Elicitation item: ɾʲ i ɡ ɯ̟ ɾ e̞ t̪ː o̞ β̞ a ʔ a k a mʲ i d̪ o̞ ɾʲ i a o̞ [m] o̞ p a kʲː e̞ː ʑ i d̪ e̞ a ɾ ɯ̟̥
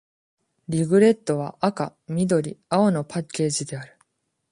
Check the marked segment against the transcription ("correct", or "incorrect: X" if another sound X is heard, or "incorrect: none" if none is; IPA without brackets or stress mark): incorrect: n